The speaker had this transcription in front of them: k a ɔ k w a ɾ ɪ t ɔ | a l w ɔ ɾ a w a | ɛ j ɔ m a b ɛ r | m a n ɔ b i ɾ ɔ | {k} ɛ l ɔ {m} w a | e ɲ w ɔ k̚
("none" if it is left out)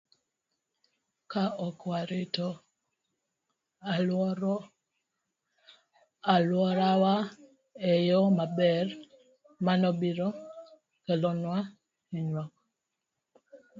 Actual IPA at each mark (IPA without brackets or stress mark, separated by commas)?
k, n